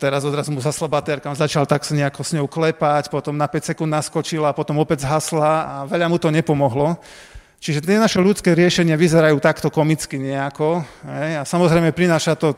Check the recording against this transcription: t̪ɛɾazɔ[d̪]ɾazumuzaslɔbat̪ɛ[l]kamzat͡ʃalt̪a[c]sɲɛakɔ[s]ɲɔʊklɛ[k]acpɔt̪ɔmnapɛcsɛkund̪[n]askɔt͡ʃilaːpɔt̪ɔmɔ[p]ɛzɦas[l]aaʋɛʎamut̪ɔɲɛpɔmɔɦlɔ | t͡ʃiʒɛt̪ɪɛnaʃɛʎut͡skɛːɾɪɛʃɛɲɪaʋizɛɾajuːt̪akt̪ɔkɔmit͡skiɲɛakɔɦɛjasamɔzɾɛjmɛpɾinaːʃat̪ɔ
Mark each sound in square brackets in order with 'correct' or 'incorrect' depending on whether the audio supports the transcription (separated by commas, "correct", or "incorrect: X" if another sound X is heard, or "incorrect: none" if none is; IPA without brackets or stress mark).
correct, incorrect: ɾ, incorrect: k, correct, incorrect: p, correct, correct, correct